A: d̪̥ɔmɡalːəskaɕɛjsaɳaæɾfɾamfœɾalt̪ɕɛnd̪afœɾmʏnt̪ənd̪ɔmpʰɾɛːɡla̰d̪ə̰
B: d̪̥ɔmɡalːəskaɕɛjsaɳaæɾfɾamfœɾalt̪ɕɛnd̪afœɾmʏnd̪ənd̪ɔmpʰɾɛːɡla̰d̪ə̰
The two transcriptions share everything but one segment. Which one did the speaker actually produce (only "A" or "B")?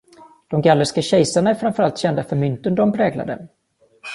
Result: A